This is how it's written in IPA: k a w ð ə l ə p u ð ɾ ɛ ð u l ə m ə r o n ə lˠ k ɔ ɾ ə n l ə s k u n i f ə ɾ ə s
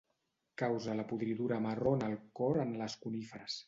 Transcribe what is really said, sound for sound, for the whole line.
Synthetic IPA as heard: k a w z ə l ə p u ð ɾ i ð u ɾ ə m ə r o n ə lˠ k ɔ ɾ ə n l ə s k u n i f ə ɾ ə s